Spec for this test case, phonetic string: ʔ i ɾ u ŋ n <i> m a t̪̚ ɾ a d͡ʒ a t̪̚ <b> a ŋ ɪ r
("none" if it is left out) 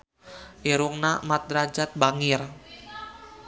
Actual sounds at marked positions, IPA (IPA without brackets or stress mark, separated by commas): a, b